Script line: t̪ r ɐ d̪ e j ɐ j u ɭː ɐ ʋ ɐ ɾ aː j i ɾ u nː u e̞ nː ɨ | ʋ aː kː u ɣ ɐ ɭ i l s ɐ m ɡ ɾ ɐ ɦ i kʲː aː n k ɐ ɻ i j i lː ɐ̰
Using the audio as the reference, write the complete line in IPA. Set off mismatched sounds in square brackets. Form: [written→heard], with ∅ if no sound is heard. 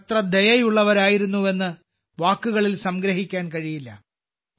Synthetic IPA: t̪ r ɐ d̪ e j ɐ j u ɭː ɐ ʋ ɐ ɾ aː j i ɾ u nː u e̞ nː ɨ | ʋ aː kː u ɣ ɐ ɭ i l s ɐ m ɡ ɾ ɐ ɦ i kʲː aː n k ɐ ɻ i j i lː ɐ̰